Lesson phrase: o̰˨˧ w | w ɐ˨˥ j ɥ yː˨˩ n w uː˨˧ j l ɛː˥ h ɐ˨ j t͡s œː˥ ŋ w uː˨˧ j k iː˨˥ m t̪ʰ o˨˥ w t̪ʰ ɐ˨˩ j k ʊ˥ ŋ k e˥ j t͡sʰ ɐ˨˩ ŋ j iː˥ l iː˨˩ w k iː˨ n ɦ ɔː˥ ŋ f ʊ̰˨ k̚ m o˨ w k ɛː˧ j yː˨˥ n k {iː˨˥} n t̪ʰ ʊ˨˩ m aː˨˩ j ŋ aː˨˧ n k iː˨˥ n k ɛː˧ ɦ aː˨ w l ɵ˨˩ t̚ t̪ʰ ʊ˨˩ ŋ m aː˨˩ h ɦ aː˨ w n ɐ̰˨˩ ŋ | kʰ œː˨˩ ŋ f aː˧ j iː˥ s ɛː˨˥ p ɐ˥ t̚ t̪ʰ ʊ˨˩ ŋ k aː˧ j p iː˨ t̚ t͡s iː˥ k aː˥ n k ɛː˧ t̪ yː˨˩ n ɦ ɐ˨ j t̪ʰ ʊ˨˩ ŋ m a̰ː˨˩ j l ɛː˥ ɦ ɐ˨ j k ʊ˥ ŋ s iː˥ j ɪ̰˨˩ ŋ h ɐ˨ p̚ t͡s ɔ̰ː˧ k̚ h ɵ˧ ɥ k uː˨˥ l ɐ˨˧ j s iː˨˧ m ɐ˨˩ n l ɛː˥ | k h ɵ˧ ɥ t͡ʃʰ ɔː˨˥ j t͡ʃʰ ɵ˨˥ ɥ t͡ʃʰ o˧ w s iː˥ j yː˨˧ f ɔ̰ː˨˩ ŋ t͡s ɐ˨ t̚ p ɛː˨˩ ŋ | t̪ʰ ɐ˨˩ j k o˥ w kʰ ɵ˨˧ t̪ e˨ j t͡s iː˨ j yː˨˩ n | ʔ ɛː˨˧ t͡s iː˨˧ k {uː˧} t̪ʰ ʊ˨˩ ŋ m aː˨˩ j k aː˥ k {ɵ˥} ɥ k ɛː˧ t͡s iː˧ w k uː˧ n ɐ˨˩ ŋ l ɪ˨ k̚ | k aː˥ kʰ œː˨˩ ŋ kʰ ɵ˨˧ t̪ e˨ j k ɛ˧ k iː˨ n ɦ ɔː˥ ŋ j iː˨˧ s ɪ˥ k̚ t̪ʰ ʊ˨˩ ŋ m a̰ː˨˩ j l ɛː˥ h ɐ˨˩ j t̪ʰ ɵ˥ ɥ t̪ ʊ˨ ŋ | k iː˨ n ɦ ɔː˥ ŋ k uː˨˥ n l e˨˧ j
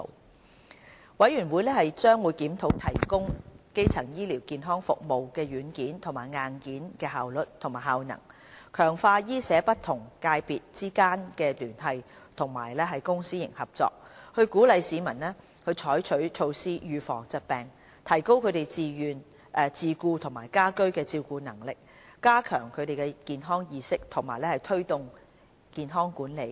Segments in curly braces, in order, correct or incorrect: correct, correct, correct

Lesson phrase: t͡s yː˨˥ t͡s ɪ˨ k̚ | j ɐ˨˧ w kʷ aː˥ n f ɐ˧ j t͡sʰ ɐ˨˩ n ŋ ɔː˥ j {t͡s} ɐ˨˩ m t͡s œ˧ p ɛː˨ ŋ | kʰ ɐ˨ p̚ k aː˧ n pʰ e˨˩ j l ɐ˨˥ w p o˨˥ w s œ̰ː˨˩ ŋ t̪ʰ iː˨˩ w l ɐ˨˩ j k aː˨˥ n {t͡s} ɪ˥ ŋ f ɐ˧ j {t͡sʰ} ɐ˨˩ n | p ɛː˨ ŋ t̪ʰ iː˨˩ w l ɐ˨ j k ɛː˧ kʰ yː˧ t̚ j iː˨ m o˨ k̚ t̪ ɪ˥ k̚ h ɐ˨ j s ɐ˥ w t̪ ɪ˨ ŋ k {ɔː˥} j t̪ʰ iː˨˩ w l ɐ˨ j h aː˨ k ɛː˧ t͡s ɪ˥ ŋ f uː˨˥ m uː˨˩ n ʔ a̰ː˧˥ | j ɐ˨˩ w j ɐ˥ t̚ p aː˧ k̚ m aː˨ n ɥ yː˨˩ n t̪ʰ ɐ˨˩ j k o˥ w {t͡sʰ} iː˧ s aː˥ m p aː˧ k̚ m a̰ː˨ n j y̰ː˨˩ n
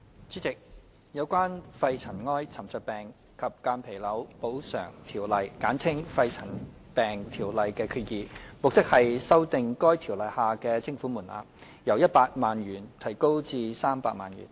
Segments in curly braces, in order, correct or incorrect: incorrect: t͡sʰ, incorrect: t͡sʰ, correct, correct, incorrect: t͡s

